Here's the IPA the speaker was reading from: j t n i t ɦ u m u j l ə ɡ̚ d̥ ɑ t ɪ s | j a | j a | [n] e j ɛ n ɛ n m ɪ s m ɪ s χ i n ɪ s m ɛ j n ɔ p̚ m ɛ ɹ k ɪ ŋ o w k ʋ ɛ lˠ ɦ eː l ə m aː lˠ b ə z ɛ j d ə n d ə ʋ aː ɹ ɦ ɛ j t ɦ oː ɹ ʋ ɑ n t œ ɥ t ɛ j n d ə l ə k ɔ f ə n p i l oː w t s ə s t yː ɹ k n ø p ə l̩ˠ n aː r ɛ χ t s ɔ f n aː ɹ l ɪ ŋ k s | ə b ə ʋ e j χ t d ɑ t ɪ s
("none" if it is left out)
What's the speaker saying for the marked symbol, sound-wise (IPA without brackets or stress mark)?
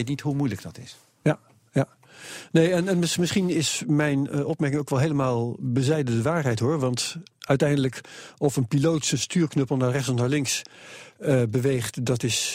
n